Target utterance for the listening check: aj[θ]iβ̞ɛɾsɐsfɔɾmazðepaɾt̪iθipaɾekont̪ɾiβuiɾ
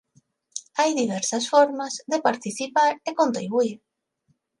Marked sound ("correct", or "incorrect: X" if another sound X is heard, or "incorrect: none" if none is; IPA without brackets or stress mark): incorrect: ð